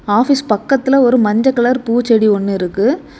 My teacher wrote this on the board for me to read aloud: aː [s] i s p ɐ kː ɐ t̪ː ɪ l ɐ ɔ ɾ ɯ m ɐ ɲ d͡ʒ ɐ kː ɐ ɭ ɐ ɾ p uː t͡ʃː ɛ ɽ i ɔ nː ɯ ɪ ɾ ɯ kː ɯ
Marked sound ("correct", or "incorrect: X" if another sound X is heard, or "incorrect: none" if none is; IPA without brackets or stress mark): incorrect: f